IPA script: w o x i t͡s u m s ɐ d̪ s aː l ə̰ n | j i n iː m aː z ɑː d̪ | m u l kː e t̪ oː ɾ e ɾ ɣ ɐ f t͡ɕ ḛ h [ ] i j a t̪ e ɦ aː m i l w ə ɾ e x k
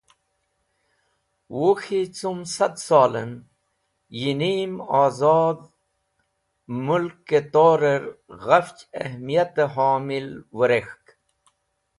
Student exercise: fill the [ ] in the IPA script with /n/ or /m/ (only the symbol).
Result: m